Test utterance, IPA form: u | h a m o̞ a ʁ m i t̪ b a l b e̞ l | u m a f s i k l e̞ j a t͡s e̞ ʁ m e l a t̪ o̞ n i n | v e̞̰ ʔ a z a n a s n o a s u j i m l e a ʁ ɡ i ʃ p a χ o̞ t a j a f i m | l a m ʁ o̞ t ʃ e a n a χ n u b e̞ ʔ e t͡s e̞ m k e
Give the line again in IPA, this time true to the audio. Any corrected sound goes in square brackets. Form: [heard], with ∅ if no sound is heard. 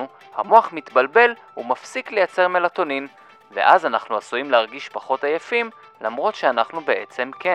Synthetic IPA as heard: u | h a m o̞ a [χ] m i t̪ b a l b e̞ l | u m a f s i k l e̞ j a t͡s e̞ ʁ m e l a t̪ o̞ n i n | v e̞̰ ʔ a z a n a [χ] n [u] a s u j i m l e a ʁ ɡ i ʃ p a χ o̞ t a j a f i m | l a m ʁ o̞ t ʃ e a n a χ n u b e̞ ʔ e t͡s e̞ m k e